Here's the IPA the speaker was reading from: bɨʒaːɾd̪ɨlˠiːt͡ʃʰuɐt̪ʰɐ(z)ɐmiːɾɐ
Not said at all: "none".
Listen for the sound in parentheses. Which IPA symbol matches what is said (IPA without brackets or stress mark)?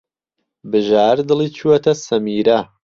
s